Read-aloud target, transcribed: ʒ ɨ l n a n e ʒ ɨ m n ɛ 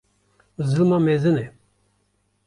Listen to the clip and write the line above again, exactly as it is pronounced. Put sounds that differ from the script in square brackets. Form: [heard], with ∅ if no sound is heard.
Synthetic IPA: [z] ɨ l [m] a [m] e [z] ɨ [∅] n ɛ